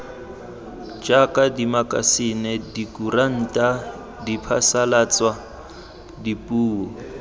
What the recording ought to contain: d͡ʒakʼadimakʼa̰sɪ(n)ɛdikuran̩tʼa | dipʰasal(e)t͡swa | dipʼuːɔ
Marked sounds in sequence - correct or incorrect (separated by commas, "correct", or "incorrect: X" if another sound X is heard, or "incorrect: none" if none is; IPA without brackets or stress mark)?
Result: correct, incorrect: a